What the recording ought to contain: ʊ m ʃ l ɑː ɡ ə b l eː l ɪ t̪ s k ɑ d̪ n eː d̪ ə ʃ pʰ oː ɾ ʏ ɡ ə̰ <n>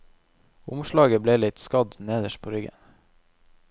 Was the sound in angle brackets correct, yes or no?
yes